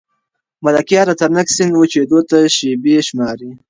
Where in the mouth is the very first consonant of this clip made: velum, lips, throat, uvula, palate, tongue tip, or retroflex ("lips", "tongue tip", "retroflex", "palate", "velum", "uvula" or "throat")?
lips